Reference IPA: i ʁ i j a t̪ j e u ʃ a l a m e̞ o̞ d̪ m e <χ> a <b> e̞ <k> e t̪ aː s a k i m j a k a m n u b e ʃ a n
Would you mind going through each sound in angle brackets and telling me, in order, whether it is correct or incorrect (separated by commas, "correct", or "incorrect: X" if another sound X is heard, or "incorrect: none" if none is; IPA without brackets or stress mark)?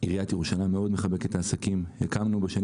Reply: correct, correct, correct